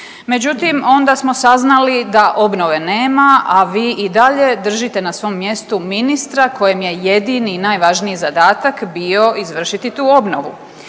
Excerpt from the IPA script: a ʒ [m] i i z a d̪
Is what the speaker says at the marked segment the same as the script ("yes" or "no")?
no